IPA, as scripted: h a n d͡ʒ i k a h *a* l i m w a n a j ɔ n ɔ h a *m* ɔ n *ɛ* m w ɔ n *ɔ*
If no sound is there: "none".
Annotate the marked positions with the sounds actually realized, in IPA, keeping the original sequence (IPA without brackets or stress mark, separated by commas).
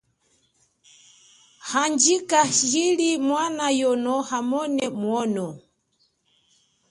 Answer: i, m, ɛ, ɔ